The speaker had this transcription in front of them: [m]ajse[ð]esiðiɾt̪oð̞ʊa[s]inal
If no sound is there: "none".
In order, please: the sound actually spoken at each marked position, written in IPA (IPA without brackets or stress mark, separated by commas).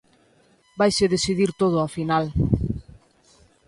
b, ð, f